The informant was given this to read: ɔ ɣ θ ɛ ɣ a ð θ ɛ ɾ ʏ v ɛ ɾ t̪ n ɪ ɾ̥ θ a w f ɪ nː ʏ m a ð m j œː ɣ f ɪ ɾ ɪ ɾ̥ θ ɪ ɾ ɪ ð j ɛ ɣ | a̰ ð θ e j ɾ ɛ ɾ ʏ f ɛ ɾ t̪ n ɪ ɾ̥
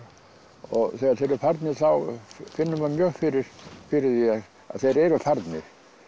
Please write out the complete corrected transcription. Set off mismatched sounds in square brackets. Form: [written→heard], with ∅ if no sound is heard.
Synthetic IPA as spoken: ɔ ɣ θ ɛ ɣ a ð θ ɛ ɾ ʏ [v→f] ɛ ɾ t̪ n ɪ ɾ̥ θ a w f ɪ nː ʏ m a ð m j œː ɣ f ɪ ɾ ɪ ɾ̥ [θ→f] ɪ ɾ ɪ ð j ɛ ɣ | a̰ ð θ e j ɾ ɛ ɾ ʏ f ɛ ɾ t̪ n ɪ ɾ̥